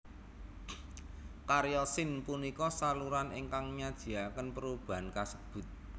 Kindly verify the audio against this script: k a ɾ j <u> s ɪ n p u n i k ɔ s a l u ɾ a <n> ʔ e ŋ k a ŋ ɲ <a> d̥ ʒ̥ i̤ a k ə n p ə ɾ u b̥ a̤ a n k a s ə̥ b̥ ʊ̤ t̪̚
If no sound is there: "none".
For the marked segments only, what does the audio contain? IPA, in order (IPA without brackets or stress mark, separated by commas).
ɔ, n, a